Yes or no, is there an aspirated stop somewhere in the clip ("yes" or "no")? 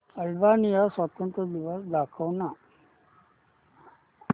yes